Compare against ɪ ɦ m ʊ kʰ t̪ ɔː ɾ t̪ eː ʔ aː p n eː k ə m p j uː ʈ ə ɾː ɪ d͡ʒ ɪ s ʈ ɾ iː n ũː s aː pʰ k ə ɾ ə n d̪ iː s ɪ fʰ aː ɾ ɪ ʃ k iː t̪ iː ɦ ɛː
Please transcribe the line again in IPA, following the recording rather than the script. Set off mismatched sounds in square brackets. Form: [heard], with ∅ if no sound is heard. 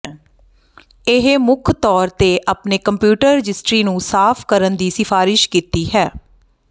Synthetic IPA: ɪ ɦ m ʊ kʰ t̪ ɔː ɾ t̪ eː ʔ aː p n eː k ə m p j uː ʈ ə ɾː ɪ d͡ʒ ɪ s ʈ ɾ iː n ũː s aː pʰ k ə ɾ ə n d̪ iː s ɪ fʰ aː ɾ ɪ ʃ k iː t̪ iː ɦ ɛː